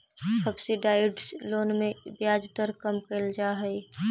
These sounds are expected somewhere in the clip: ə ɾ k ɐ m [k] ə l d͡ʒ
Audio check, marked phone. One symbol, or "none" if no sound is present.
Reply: k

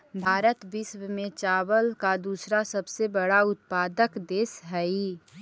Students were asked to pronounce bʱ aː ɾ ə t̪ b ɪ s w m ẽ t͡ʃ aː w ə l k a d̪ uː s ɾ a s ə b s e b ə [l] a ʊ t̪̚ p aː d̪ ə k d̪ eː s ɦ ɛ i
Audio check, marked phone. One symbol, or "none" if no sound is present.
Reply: ɽ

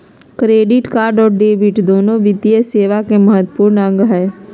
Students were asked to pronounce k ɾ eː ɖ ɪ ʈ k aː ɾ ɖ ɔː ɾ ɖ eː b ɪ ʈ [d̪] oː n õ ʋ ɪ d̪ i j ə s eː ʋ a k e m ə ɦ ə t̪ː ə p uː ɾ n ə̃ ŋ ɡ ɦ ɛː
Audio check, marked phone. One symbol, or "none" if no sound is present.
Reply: d̪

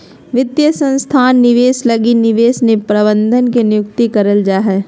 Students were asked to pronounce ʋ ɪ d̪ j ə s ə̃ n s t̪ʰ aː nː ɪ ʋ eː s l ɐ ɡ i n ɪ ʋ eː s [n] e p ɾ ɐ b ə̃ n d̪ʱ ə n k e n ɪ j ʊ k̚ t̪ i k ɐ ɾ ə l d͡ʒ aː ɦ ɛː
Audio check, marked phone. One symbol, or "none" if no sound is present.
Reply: n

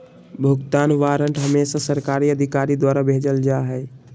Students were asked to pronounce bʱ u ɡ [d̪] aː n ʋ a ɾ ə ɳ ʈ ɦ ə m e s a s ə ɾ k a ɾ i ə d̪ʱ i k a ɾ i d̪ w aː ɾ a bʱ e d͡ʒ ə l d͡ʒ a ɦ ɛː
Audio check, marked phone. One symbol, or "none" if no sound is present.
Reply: t̪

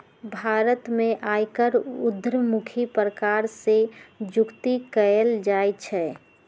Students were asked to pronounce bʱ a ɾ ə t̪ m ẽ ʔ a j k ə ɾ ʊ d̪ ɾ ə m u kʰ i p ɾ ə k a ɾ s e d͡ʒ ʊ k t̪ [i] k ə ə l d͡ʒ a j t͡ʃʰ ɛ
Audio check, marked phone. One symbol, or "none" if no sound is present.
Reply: i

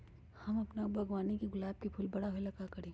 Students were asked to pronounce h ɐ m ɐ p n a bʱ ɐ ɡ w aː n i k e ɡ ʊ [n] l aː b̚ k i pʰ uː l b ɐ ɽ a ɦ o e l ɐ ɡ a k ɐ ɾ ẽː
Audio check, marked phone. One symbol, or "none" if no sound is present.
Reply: none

